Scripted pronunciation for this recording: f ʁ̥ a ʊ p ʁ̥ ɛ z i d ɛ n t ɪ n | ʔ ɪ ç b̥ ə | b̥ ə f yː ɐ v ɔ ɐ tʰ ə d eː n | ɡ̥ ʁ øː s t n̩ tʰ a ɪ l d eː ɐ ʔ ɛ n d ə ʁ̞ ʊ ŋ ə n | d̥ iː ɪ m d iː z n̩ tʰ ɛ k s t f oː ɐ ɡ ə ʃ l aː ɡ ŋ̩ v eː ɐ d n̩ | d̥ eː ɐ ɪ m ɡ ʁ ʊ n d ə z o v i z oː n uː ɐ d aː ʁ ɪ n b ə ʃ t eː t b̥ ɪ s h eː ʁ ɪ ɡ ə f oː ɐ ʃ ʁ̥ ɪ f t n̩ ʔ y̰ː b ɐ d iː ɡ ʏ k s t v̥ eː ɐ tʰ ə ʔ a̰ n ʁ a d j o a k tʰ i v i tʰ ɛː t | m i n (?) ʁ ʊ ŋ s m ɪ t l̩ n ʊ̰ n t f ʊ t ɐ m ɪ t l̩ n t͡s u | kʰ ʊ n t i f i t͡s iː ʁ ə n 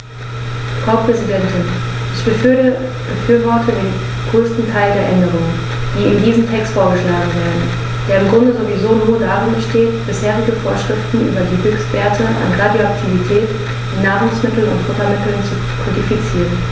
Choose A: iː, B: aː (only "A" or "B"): B